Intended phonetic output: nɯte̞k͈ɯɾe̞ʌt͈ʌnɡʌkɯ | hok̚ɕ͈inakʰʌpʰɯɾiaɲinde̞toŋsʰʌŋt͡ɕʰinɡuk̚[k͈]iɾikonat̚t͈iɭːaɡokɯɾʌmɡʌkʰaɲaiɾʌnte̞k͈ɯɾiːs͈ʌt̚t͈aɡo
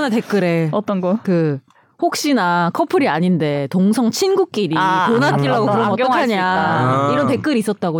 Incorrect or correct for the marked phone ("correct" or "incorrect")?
correct